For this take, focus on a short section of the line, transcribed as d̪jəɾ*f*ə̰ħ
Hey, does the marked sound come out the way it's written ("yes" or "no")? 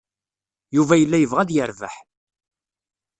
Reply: no